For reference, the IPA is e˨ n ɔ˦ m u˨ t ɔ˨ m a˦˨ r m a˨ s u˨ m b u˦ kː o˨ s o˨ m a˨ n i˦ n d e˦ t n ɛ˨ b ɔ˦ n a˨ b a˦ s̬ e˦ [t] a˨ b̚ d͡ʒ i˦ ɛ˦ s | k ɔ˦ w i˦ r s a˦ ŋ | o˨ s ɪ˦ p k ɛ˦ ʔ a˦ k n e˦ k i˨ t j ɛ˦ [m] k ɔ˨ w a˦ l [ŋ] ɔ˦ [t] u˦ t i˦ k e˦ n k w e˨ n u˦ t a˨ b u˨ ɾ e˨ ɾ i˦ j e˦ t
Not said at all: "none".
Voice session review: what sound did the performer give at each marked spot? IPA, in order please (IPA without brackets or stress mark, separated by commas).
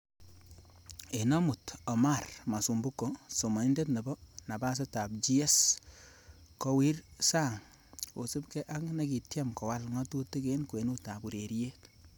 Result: t, m, ŋ, t